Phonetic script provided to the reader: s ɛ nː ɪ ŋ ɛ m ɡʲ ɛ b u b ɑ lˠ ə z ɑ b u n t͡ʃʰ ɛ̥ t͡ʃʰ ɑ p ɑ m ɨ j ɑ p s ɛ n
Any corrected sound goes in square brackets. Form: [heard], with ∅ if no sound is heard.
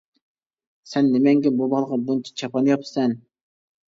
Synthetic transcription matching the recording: s ɛ nː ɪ [m] ɛ [ŋ] ɡʲ ɛ b u b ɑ lˠ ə [ʁ] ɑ b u n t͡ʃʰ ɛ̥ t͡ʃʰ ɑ p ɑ [n] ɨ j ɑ p s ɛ n